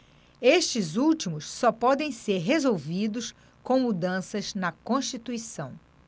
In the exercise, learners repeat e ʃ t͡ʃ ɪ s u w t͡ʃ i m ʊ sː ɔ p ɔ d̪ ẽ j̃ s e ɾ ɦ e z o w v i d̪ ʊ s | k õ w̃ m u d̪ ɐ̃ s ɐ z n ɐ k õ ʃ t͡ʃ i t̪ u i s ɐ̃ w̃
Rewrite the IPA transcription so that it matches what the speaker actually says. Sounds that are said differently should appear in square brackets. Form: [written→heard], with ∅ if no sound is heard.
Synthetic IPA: e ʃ t͡ʃ ɪ [s→z] u w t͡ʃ i m ʊ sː ɔ p ɔ d̪ ẽ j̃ s e ɾ ɦ e z o w v i d̪ ʊ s | k õ w̃ m u d̪ ɐ̃ s ɐ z n ɐ k õ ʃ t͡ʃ i t̪ u i s ɐ̃ w̃